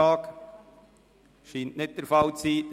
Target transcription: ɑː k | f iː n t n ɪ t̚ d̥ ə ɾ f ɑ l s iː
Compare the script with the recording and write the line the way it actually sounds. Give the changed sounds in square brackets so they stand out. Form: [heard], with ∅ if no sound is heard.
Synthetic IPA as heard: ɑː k | [ʃ] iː n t n ɪ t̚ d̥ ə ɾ f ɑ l [t͡s] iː